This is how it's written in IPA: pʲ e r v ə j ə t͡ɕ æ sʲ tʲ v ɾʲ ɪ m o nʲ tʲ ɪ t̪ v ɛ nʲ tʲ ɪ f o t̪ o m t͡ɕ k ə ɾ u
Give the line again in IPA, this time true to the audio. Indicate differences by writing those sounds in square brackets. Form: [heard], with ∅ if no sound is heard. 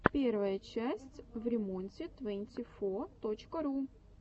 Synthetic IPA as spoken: pʲ e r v ə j ə t͡ɕ æ sʲ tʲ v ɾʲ ɪ m o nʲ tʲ ɪ t̪ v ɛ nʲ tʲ ɪ f o t̪ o [∅] t͡ɕ k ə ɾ u